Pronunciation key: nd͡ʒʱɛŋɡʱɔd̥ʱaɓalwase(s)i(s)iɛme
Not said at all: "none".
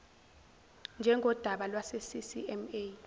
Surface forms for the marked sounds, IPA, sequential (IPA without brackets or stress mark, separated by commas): s, s